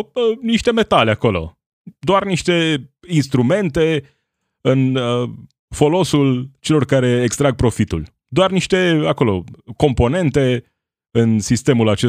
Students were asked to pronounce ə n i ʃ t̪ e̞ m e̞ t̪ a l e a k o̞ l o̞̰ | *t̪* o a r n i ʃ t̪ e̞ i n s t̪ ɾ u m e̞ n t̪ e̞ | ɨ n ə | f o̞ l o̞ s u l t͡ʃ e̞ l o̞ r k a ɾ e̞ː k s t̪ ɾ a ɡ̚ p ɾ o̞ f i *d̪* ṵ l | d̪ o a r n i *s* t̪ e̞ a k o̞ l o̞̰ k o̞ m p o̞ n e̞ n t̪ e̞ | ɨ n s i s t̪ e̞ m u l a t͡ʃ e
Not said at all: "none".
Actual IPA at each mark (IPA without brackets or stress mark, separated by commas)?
d̪, t̪, ʃ